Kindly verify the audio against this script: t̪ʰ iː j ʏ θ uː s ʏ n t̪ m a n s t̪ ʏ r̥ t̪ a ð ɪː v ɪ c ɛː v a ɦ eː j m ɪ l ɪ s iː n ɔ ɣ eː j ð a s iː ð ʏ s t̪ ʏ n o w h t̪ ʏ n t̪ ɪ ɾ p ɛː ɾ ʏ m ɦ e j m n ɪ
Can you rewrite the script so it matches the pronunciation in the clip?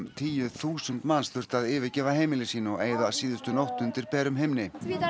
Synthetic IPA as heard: t̪ʰ iː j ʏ θ uː s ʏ n t̪ m a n s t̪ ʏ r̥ t̪ a ð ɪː v ɪ c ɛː v a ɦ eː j m ɪ l ɪ s iː n ɔ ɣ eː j ð a s iː ð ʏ s t̪ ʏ n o w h t̪ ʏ n t̪ ɪ ɾ p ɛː ɾ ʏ m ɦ e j m n ɪ

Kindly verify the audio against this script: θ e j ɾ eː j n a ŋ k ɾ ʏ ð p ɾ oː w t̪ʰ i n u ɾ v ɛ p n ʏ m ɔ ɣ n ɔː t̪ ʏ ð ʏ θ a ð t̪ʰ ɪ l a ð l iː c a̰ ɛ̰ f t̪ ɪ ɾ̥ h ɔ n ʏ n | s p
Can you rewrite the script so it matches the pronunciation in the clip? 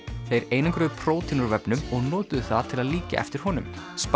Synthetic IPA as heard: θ e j ɾ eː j n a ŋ k ɾ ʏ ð pʰ ɾ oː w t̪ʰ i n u ɾ v ɛ p n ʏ m ɔ ɣ n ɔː t̪ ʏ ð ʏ θ a ð t̪ʰ ɪ l a ð l iː c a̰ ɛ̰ f t̪ ɪ ɾ̥ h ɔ n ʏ m | s p

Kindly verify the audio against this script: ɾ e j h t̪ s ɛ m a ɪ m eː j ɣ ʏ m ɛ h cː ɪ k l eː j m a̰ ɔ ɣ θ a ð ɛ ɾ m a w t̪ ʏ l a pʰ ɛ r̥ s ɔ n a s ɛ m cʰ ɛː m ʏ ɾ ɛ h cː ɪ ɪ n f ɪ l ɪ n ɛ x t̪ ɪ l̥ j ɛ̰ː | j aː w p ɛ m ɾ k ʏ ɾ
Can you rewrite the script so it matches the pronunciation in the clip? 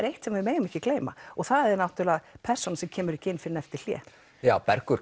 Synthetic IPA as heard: ɾ e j h t̪ s ɛ m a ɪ m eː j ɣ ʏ m ɛ h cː ɪ k l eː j m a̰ ɔ ɣ θ a ð ɛ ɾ n a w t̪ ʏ l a pʰ ɛ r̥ s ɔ n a s ɛ m cʰ ɛː m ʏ ɾ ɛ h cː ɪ ɪ n f ɪ ɾ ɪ n ɛ f t̪ ɪ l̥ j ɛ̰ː | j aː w p ɛ ɾ k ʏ ɾ

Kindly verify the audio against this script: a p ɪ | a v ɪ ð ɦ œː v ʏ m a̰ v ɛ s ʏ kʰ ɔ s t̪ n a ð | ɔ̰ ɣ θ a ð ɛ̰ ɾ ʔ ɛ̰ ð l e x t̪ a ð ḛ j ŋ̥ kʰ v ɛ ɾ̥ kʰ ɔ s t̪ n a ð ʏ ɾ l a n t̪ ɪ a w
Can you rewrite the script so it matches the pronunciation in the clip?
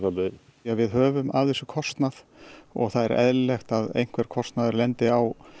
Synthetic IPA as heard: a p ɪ | a v ɪ ð ɦ œː v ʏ m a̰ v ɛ s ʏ kʰ ɔ s t̪ n a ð | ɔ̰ ɣ θ a ð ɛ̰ ɾ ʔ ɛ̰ ð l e x t̪ a ð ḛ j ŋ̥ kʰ v ɛ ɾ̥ kʰ ɔ s t̪ n a ð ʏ ɾ l ɛ n t̪ ɪ a w

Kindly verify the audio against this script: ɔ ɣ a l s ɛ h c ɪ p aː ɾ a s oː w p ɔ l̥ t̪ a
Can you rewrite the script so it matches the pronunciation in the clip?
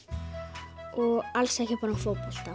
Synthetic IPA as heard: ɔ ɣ a l s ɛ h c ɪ p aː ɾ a f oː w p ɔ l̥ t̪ a

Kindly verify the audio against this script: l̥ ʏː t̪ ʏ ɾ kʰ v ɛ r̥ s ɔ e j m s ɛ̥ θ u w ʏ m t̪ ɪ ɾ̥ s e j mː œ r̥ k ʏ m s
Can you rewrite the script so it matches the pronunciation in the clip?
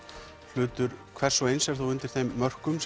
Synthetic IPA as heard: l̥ ʏː t̪ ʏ ɾ kʰ v ɛ r̥ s ɔ e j n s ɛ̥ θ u w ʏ n t̪ ɪ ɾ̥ θ e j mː œ r̥ k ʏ m s

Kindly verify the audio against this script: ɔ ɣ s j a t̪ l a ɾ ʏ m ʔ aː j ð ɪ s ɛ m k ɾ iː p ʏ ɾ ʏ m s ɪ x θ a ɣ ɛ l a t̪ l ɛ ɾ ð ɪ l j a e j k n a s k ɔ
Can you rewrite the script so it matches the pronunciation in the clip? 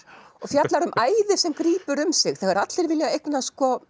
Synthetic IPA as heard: ɔ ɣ f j a t̪ l a ɾ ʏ m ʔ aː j ð ɪ s ɛ m k ɾ iː p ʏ ɾ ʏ m s ɪ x θ ɛ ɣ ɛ ɾ a t̪ l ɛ ɾ v ɪ l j a e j k n a s k ɔ

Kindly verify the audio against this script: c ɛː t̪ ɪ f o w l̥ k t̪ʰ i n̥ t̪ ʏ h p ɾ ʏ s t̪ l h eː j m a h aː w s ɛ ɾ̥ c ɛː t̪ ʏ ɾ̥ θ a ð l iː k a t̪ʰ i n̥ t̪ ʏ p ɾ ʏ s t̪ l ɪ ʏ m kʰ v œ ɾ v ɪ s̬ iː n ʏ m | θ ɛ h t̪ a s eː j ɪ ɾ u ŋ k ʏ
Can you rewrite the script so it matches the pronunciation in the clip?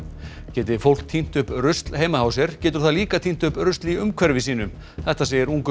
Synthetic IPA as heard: c ɛː t̪ ɪ f o w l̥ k t̪ʰ i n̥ t̪ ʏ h p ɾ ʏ s t̪ l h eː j m a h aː w s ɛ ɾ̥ c ɛː t̪ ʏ ɾ̥ θ a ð l iː k a t̪ʰ i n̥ t̪ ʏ p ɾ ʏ s t̪ l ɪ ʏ m kʰ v ɛ ɾ v ɪ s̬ iː n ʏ m | θ ɛ h t̪ a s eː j ɪ ɾ u ŋ k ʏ

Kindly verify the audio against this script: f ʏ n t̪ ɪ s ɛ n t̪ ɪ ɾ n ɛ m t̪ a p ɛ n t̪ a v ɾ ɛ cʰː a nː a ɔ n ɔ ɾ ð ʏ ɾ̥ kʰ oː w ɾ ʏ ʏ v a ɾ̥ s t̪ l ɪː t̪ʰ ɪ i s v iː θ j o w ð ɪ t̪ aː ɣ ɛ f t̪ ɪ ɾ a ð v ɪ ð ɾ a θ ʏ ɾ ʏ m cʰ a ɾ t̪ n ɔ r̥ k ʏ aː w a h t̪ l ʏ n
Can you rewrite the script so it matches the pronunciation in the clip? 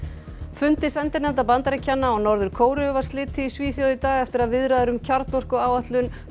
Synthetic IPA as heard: f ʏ n t̪ ɪ s ɛ n t̪ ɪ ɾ n ɛ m t̪ a p a n t̪ a ɾ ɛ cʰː a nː a ɔ n ɔ ɾ ð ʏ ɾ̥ kʰ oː w ɾ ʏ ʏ v a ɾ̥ s t̪ l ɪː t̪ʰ ɪ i s v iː θ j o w ð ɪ t̪ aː ɣ ɛ f t̪ ɪ ɾ a ð v ɪ ð ɾ a ð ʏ ɾ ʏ m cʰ a ɾ t̪ n ɔ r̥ k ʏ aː w a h t̪ l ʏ n

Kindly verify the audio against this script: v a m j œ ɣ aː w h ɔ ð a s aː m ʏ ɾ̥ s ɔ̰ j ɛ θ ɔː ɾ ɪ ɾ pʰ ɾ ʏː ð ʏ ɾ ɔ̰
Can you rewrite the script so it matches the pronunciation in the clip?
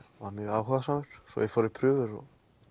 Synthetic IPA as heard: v a m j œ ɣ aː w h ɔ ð a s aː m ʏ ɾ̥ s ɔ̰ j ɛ f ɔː ɾ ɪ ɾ pʰ ɾ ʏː v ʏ ɾ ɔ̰

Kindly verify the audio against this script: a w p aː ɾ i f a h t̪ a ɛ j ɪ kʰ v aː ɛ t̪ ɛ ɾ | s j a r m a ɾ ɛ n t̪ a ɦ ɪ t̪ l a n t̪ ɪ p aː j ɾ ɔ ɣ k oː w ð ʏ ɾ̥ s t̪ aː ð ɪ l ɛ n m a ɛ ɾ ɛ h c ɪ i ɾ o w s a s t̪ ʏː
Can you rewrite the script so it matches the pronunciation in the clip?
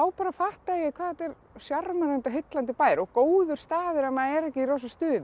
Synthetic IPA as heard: a w p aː ɾ a f a h t̪ a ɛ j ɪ kʰ v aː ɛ t̪ ɛ ɾ | s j a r m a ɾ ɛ n t̪ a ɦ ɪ t̪ l a n t̪ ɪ p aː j ɾ ɔ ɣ k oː w ð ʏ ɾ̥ s t̪ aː ð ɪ ɾ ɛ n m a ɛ ɾ ɛ h c ɪ i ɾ o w s a s t̪ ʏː

